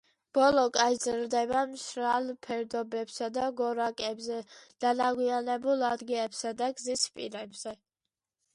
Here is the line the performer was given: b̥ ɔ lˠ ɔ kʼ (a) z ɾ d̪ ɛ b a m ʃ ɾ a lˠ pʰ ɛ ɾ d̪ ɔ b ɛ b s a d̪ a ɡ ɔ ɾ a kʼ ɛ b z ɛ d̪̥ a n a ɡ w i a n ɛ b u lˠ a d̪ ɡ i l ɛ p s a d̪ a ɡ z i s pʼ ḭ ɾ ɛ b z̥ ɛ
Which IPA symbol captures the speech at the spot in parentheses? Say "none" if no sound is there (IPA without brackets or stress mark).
a